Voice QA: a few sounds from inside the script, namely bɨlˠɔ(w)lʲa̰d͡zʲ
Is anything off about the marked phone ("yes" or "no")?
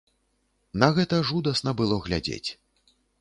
yes